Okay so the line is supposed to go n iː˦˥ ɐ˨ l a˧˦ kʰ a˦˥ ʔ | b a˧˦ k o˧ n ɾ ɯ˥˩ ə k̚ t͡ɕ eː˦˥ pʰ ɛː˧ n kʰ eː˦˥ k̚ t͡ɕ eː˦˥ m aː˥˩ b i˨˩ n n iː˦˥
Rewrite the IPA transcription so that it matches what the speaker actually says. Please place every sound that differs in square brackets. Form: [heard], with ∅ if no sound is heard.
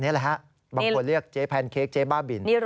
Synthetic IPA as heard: n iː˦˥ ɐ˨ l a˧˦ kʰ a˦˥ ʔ | b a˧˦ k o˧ n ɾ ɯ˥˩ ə k̚ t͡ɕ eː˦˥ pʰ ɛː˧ n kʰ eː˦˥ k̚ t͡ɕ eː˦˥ [b] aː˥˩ b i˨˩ n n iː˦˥